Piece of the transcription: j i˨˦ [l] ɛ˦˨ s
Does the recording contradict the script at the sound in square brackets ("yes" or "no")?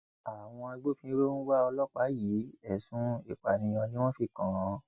yes